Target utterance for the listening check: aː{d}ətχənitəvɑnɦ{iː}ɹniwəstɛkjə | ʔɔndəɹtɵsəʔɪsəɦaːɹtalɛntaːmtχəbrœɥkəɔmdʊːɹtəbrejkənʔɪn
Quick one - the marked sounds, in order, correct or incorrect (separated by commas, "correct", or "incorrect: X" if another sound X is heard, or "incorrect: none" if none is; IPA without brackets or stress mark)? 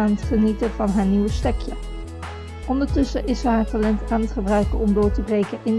incorrect: n, incorrect: aː